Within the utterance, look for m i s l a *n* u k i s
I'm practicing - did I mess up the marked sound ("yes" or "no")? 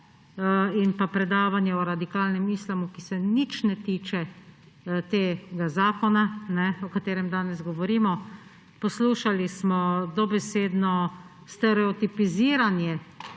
yes